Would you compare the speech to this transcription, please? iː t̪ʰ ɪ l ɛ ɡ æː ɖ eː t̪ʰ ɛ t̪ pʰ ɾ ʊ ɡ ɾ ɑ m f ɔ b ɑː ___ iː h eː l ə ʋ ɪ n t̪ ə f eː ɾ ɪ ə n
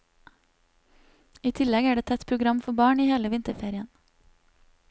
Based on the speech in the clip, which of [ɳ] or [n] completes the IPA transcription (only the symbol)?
ɳ